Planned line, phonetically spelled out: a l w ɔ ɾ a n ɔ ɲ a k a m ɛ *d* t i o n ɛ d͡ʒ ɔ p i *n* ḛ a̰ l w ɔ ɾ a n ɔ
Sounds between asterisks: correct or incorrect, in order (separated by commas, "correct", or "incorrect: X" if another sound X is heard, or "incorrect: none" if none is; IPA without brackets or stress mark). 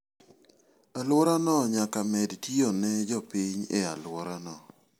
correct, incorrect: ɲ